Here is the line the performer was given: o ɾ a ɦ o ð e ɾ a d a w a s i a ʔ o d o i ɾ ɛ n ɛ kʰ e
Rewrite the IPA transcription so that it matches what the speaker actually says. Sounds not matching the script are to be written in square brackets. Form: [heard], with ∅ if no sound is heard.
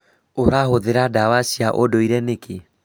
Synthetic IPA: o ɾ a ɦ o ð e ɾ a d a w a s i a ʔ o d o i ɾ ɛ n [e] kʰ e